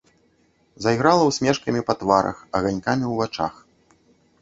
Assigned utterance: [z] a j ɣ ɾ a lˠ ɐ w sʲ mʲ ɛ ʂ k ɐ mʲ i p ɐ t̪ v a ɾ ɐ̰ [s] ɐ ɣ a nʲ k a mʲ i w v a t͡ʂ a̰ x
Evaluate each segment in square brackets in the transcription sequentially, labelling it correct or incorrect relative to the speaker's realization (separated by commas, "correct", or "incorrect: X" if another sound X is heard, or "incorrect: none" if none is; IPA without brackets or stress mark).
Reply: correct, incorrect: x